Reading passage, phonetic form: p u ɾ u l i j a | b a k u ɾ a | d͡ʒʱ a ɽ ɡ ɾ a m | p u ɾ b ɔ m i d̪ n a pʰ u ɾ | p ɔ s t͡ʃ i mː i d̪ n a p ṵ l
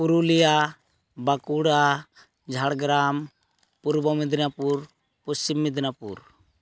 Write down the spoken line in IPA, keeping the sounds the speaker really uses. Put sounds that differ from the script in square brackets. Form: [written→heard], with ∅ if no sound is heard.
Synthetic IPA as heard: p u ɾ u l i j a | b a k u [ɾ→ɽ] a | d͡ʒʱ a ɽ ɡ ɾ a m | p u ɾ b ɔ m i d̪ n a [pʰ→p] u ɾ | p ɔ s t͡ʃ i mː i d̪ n a p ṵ [l→ɾ]